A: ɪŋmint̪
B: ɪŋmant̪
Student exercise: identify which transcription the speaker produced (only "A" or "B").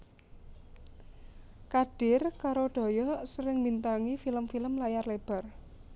A